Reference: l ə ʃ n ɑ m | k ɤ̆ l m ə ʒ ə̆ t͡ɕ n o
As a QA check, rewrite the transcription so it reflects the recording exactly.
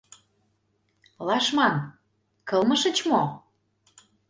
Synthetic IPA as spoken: l ɑ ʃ m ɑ n | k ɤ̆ l m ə ʃ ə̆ t͡ɕ m o